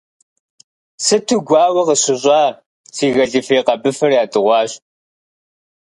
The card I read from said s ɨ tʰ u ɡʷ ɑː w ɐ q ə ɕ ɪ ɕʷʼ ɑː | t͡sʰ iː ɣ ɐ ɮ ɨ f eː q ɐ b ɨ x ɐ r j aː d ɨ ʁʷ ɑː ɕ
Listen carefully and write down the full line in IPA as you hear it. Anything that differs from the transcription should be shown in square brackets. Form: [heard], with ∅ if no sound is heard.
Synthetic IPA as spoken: s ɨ tʰ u ɡʷ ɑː w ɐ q ə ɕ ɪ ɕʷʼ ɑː | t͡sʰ iː ɣ ɐ ɮ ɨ f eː q ɐ b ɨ [f] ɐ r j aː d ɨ ʁʷ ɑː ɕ